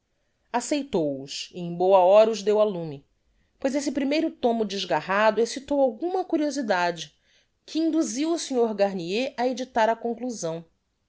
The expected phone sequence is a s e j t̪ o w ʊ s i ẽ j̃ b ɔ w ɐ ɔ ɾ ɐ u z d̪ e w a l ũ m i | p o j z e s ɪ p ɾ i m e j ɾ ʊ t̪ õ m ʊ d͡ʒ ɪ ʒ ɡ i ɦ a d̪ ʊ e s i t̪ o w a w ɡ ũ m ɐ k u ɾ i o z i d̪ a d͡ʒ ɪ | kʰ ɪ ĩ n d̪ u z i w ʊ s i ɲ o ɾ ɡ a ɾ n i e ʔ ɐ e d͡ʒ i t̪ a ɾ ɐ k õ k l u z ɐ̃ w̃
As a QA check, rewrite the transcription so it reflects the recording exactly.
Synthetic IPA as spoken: a s e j t̪ o w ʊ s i ẽ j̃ b o w ɐ ɔ ɾ ɐ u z d̪ e w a l ũ m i | p o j z e s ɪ p ɾ i m e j ɾ ʊ t̪ õ m ʊ d͡ʒ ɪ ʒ ɡ a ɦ a d̪ ʊ e s i t̪ o w a w ɡ ũ m ɐ k u ɾ i o z i d̪ a d͡ʒ ɪ | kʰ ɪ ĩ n d̪ u z i w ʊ s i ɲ o ɾ ɡ a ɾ n i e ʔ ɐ e d͡ʒ i t̪ a ɾ ɐ k õ k l u z ɐ̃ w̃